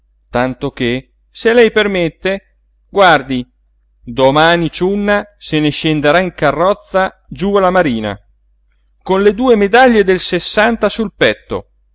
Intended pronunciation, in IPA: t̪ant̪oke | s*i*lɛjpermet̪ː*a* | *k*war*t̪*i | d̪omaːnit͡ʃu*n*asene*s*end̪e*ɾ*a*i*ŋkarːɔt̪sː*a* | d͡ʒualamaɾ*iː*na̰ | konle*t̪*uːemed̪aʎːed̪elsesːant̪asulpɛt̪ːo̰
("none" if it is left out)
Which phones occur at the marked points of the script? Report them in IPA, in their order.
e, e, ɡ, d̪, nː, ʃ, ɾ, i, a, iː, d̪

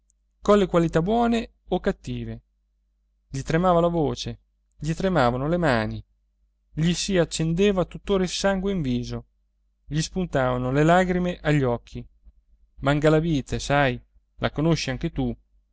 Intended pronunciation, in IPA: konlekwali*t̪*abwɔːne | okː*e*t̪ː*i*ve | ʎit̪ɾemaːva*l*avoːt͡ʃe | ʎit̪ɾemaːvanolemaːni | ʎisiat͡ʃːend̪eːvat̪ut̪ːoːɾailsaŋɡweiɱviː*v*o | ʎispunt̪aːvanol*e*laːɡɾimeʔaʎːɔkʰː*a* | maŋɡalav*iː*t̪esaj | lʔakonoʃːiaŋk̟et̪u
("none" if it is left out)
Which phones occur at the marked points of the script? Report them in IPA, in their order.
t̪, a, iː, l, z, e, i, iː

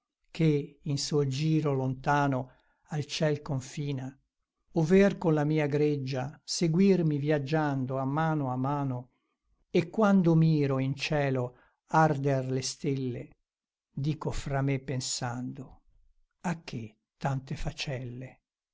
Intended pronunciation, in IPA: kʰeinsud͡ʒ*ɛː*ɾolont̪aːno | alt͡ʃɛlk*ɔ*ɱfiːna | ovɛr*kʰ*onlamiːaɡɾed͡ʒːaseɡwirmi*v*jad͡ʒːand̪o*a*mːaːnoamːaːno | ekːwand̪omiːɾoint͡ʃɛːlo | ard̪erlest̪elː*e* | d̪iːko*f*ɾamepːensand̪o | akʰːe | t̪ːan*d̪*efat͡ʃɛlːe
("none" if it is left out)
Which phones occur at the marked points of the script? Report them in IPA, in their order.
iː, o, k, v, a, e, f, t̪

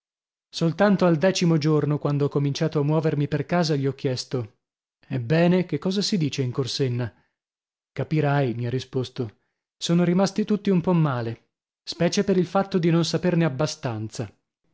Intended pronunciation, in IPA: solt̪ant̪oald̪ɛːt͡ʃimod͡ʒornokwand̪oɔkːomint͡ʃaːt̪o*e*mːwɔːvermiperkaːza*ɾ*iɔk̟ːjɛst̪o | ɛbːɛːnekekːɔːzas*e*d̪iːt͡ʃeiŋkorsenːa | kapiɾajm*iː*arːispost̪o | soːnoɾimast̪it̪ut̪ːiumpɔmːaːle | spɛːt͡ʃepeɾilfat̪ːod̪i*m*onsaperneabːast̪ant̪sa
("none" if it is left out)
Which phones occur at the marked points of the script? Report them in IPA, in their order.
a, ʎ, i, i, n

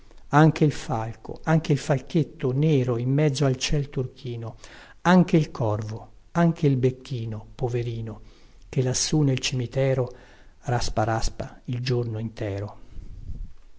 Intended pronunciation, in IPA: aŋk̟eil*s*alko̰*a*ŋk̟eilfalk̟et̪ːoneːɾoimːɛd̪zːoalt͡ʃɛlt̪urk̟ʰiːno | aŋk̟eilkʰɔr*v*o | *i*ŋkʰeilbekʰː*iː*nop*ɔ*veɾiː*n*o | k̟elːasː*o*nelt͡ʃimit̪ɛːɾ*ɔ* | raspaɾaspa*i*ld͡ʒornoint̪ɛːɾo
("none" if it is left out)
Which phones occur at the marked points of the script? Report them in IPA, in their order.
f, a, v, a, iː, o, n, u, o, i

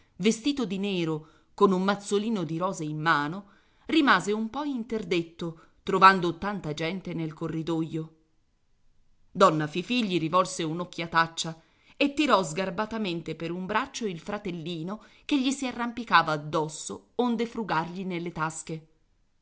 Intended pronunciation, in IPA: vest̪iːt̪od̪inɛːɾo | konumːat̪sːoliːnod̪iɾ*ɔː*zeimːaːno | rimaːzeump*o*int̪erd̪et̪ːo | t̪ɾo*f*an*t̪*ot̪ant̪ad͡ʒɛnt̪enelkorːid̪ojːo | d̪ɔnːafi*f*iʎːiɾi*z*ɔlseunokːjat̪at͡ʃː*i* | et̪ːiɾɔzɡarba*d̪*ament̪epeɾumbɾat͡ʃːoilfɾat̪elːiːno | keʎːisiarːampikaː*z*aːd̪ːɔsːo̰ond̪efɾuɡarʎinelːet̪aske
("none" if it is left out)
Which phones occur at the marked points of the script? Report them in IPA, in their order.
ɔː, ɔ, v, d̪, f, v, a, t̪, v

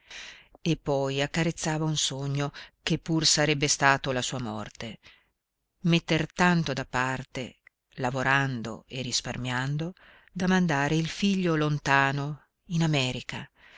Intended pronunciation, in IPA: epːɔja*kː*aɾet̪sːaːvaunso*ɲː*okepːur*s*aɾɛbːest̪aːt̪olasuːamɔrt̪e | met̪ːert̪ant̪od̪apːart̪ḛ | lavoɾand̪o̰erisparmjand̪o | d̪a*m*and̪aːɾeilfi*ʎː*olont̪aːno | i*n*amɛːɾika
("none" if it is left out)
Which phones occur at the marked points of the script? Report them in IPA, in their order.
kː, ɲː, s, m, ʎː, n

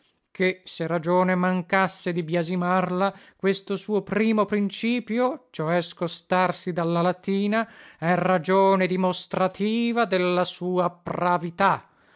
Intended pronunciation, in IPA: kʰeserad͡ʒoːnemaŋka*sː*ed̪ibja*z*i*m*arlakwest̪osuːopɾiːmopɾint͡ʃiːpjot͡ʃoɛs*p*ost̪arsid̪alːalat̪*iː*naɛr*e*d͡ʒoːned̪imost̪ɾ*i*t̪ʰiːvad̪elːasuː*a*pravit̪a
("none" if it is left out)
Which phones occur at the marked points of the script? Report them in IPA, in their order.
sː, z, m, k, iː, a, a, a

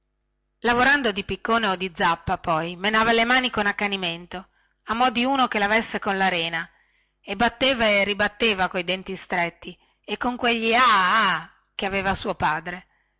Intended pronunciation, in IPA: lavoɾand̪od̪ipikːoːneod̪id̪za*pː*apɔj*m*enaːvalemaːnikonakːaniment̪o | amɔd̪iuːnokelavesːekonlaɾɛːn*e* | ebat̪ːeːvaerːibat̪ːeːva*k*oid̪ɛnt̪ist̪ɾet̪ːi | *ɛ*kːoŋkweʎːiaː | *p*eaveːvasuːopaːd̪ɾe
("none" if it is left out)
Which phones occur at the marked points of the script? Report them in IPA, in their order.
pː, m, a, k, e, k

